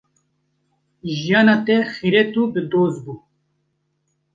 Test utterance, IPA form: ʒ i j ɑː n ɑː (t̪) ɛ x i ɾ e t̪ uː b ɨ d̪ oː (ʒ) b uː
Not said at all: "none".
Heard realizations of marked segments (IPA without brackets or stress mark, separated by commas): t̪, z